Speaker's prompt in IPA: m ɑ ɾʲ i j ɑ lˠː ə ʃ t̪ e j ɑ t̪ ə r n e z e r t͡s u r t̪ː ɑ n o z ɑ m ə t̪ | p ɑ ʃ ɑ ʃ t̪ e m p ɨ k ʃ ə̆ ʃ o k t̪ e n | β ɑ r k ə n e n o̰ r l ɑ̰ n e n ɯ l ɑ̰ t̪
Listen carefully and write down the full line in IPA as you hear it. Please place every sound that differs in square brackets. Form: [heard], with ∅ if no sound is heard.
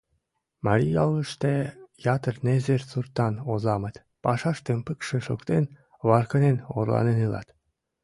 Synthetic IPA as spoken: m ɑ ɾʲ i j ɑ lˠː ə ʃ t̪ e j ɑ t̪ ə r n e z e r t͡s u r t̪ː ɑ n o z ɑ m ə t̪ | p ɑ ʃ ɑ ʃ t̪ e m p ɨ k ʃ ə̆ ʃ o k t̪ e n | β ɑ r k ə n e n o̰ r l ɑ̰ n e n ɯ l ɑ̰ t̪